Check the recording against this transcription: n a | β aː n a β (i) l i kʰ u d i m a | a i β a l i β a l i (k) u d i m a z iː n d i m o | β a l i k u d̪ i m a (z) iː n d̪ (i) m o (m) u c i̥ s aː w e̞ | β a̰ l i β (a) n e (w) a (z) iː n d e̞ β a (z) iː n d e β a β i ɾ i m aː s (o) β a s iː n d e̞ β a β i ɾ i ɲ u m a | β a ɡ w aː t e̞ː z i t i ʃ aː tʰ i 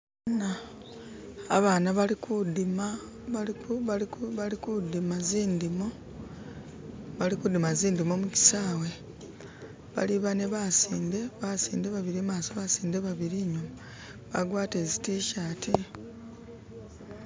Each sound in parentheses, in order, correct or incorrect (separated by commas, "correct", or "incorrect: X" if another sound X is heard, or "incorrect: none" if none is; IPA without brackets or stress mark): incorrect: a, correct, correct, correct, correct, correct, incorrect: β, incorrect: s, incorrect: s, correct